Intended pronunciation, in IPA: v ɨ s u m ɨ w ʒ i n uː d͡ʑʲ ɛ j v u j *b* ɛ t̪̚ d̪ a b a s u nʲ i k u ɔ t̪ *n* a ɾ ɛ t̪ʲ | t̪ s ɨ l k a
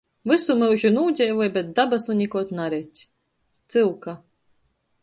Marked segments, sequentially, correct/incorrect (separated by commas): correct, correct